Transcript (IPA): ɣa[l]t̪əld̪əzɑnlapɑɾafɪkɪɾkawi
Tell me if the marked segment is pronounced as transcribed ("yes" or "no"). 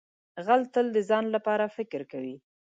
yes